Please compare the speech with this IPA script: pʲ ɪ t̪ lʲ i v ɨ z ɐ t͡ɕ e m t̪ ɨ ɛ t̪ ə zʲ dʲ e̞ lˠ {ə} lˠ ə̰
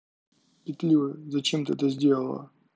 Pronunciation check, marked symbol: correct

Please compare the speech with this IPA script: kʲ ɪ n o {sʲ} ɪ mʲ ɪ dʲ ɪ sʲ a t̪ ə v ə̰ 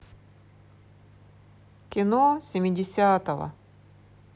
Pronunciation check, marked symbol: correct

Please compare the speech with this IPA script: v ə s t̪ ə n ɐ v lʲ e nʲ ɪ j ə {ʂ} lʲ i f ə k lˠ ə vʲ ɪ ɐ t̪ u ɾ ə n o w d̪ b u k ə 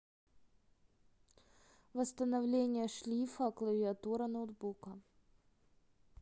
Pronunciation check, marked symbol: correct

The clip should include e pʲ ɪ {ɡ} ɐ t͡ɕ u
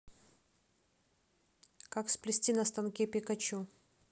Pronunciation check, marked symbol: incorrect: k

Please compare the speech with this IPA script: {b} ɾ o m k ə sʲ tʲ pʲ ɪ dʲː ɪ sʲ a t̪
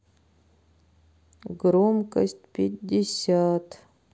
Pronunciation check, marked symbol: incorrect: ɡ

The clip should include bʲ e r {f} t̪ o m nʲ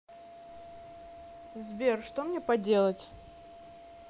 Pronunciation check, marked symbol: incorrect: ʂ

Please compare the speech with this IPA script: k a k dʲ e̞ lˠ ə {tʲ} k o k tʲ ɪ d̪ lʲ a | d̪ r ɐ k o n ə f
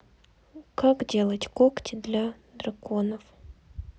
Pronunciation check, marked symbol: correct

